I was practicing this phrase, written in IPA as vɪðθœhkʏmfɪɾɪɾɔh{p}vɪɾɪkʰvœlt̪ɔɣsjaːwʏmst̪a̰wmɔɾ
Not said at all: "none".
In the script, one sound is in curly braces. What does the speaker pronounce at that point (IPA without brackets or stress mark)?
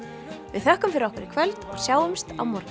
k